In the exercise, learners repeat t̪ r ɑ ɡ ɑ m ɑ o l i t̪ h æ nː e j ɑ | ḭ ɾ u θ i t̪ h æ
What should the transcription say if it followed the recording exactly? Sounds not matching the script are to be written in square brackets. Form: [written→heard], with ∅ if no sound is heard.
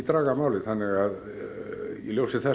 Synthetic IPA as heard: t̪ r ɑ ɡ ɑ m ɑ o l i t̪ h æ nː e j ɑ | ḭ [ɾ→l] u [θ→s] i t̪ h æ